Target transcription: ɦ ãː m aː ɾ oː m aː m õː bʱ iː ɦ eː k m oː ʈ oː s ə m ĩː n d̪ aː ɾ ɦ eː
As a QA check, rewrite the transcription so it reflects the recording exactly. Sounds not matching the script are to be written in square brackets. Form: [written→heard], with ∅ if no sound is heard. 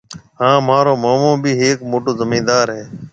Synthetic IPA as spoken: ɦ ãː m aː ɾ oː m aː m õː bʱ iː ɦ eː k m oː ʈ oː [s→z] ə m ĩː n d̪ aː ɾ ɦ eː